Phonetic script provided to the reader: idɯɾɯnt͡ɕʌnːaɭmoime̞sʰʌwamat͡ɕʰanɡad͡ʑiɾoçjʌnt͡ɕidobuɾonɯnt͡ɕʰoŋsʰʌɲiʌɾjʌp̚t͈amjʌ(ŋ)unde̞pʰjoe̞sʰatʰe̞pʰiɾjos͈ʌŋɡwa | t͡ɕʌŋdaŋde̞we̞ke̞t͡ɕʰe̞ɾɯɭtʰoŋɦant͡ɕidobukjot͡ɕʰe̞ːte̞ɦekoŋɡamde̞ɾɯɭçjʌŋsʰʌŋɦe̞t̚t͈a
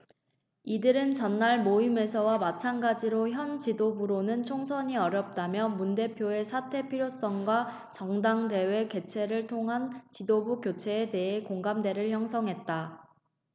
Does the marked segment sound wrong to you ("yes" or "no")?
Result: yes